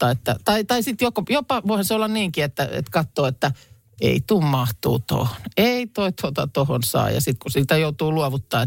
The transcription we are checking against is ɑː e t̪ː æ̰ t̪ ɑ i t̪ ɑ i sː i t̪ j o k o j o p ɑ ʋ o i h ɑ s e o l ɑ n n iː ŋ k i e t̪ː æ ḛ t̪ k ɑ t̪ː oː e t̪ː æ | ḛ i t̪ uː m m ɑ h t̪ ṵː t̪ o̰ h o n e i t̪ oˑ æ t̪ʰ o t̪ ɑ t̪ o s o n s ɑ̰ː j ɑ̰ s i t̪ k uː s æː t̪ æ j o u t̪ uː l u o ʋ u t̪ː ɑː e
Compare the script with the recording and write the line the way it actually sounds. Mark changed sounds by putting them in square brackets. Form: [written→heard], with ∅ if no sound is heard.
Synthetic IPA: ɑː e t̪ː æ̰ t̪ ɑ i t̪ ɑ i [sː→s] i t̪ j o k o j o p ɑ ʋ o i h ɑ s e o [l→lː] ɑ n n iː ŋ k i e t̪ː æ ḛ t̪ k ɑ t̪ː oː e t̪ː æ | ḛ i t̪ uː m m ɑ h t̪ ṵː t̪ o̰ h o n e i t̪ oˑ [æ→i] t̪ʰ o t̪ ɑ t̪ o [s→h] o n s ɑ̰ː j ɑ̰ s i t̪ k [uː→u] s [æː→iː] t̪ æ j o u t̪ uː l u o ʋ u t̪ː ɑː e